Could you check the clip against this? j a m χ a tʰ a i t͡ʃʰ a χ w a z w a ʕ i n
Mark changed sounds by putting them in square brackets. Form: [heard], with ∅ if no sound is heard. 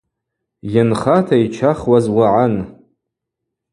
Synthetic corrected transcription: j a [n] χ a tʰ a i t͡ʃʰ a χ w a z w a ʕ [a] n

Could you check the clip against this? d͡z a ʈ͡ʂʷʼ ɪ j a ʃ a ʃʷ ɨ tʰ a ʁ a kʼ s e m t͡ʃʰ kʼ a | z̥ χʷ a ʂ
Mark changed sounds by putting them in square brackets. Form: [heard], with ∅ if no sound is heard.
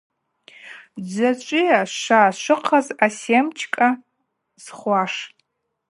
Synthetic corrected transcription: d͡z a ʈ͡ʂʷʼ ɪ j a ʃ a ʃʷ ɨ [qʰ] a [z] a [∅] s e m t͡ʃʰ kʼ a | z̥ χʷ a ʂ

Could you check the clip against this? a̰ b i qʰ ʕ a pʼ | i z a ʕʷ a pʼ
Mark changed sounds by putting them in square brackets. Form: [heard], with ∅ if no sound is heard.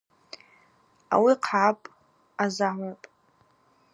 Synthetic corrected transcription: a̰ [w] i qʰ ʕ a pʼ | [a] z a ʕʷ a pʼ

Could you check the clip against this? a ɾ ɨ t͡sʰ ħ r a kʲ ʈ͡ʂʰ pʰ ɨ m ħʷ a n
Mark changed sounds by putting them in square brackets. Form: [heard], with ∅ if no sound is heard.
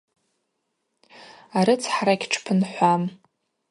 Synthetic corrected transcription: a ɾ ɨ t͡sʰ ħ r a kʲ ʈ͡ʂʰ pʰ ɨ [n] ħʷ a [m]

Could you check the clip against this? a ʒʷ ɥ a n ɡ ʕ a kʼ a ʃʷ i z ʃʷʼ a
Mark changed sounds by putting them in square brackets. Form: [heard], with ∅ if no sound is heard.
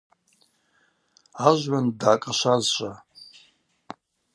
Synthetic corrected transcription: a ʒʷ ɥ a n [d] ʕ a kʼ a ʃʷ [a] z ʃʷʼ a

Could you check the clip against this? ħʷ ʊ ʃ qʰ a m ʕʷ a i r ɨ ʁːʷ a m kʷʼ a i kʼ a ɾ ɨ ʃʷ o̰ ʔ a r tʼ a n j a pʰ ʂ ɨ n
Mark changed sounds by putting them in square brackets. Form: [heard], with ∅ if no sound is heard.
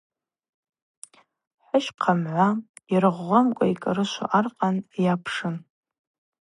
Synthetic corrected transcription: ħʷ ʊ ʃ qʰ a m ʕʷ a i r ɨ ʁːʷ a m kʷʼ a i kʼ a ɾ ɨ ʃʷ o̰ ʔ a r [qʼ] a n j a pʰ ʂ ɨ n

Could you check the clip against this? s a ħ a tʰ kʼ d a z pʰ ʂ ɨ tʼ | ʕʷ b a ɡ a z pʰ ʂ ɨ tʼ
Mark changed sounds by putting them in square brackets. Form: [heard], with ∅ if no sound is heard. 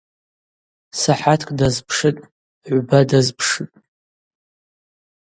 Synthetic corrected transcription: s a ħ a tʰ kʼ d a z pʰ ʂ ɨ tʼ | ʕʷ b a [d] a z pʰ ʂ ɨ tʼ

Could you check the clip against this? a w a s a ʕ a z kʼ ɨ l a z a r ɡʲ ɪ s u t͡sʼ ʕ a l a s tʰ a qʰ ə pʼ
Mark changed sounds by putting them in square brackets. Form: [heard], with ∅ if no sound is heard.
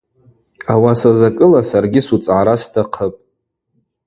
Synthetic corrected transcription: a w a s a [z] a [∅] kʼ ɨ l a [s] a r ɡʲ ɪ s u t͡sʼ ʕ a [ɾ] a s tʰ a qʰ ə pʼ

